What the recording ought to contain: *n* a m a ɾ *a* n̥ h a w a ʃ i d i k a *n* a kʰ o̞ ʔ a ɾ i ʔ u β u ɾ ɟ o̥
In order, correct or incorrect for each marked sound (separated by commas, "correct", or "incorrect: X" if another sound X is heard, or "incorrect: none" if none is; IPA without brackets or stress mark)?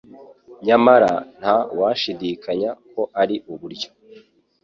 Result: incorrect: ɲ, correct, incorrect: ɲ